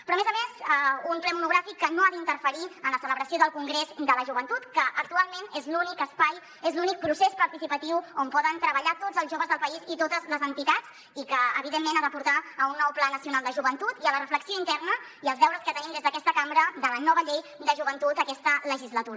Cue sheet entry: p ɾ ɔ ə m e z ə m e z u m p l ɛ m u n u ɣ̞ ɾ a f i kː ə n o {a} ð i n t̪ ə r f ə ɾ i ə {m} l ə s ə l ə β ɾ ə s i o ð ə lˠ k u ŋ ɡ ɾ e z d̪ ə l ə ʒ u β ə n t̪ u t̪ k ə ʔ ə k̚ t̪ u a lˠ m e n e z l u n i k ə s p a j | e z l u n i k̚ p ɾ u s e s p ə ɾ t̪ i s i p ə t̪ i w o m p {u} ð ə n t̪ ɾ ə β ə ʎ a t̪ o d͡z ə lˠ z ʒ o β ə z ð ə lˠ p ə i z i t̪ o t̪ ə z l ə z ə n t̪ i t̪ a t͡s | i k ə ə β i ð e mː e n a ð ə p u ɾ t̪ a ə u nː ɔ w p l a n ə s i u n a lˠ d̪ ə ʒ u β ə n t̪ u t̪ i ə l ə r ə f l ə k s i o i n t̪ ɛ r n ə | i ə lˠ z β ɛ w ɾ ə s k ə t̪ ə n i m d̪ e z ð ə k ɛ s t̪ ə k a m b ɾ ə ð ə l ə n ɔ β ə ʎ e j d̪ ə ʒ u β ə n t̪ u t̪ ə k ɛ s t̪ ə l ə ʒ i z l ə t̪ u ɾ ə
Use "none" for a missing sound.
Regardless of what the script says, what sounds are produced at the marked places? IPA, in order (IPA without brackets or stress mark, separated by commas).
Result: a, n, ɔ